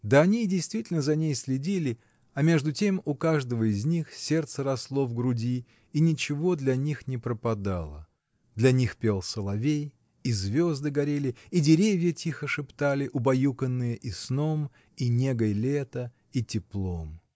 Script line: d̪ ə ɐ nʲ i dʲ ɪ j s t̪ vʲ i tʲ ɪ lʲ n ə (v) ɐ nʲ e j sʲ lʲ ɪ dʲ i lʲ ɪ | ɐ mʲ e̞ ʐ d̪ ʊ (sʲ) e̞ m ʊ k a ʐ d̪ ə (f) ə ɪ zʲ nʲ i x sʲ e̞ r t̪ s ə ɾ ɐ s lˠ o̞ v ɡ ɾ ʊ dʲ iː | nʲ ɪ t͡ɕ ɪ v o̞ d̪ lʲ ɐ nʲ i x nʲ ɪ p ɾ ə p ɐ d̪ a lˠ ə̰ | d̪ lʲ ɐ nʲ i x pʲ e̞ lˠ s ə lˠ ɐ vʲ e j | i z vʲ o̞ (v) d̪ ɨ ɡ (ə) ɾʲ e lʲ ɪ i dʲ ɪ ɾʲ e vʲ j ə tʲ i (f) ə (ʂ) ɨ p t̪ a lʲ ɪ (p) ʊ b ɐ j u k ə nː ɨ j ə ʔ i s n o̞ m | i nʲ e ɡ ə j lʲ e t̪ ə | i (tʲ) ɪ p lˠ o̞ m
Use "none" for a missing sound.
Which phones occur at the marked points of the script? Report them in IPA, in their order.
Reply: z, tʲ, v, z, ɐ, x, ʂ, ʔ, tʲ

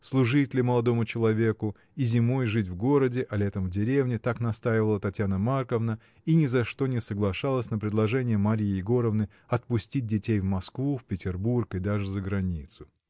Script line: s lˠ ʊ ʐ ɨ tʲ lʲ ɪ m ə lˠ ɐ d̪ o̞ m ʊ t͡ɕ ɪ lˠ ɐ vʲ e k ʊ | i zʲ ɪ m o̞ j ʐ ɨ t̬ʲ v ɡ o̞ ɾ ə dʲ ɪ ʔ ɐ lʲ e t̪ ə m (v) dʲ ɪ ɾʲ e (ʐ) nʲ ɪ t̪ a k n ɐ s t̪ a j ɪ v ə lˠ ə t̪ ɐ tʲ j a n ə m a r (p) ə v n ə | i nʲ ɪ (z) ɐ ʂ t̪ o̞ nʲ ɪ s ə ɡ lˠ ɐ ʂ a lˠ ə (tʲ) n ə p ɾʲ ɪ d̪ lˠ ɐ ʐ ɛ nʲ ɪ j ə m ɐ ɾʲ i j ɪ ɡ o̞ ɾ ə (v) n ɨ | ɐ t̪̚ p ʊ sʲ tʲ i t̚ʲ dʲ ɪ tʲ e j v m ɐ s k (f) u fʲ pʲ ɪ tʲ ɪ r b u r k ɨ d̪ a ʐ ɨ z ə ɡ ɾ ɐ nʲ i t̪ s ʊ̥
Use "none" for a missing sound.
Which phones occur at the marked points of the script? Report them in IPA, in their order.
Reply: v, v, k, z, sʲ, v, v

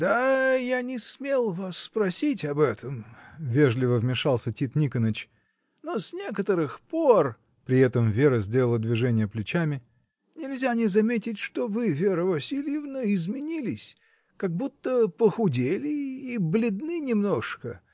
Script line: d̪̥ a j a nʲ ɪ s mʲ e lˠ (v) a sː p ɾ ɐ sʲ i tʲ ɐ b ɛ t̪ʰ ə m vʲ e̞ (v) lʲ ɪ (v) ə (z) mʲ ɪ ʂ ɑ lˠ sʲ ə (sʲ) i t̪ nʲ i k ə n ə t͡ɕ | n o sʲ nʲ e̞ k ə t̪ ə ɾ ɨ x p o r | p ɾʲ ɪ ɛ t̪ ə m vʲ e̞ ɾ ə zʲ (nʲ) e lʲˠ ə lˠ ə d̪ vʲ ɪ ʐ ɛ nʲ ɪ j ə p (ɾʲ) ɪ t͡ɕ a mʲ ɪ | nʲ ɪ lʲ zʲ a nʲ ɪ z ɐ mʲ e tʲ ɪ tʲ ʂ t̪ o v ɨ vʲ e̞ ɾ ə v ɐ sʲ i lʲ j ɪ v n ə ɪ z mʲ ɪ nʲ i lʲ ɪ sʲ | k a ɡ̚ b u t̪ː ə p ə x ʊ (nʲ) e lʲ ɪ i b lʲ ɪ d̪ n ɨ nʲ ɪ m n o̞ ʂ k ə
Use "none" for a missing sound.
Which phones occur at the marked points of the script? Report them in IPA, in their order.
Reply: v, ʐ, v, v, tʲ, dʲ, lʲ, dʲ

